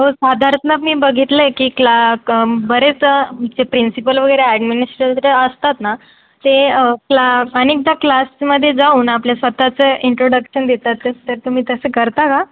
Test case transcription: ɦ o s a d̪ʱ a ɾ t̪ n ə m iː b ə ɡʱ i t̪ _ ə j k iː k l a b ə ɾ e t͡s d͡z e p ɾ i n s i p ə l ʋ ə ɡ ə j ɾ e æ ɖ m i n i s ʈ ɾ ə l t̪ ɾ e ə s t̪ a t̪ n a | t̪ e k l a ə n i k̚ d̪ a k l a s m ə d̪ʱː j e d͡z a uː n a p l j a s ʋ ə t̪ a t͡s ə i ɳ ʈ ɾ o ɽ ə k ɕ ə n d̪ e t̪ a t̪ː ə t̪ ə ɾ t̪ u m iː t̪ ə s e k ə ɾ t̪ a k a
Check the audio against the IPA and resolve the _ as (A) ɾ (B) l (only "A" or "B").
B